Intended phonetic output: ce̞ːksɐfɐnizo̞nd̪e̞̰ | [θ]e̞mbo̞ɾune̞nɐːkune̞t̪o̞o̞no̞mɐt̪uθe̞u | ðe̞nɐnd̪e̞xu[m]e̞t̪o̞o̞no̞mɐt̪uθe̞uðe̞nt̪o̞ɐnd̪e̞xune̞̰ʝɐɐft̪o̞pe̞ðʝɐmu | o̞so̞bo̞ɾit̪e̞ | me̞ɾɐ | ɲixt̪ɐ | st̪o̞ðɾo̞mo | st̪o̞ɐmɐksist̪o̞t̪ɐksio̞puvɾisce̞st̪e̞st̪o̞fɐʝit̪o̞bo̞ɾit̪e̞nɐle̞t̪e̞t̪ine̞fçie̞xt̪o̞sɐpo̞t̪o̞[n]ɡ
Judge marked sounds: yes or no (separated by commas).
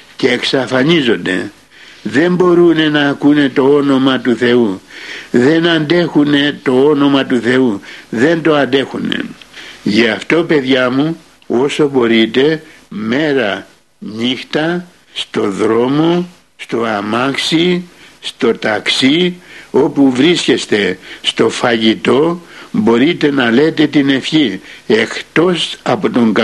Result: no, no, no